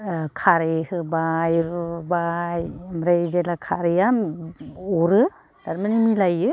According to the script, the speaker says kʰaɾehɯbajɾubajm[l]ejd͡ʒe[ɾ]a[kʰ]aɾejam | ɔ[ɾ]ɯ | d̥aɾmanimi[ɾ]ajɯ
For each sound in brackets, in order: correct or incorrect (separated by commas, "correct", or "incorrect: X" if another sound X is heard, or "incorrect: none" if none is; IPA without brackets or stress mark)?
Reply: incorrect: ɾ, incorrect: l, correct, correct, incorrect: l